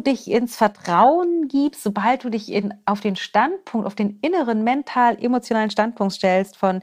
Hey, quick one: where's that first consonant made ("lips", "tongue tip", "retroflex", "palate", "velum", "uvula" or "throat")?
tongue tip